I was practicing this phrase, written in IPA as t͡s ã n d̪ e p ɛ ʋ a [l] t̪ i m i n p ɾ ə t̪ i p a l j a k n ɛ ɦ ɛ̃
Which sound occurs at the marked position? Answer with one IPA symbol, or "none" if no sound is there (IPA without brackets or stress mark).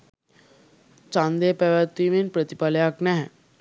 none